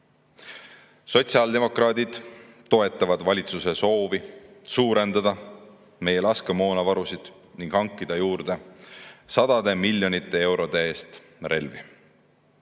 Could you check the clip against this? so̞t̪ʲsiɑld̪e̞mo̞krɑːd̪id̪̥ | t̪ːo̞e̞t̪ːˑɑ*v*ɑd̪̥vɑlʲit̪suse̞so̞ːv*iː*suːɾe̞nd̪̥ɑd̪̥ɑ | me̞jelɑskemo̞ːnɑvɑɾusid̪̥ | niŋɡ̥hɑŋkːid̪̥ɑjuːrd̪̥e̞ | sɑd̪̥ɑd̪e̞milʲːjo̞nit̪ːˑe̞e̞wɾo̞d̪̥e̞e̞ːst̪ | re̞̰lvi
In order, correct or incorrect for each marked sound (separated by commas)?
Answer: correct, incorrect